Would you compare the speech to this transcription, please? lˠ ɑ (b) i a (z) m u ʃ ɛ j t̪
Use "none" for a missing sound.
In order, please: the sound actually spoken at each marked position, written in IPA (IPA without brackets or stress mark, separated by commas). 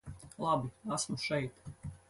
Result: b, s